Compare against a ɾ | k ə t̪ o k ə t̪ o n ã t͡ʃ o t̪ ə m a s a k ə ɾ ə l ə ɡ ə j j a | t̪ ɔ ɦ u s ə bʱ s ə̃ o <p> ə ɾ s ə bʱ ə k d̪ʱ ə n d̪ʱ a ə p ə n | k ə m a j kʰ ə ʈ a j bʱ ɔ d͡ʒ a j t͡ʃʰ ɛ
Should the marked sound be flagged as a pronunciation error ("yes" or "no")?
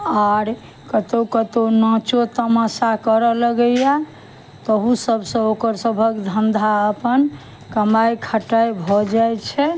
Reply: yes